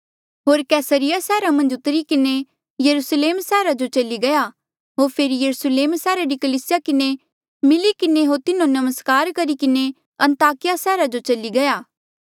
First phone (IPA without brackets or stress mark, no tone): ɦ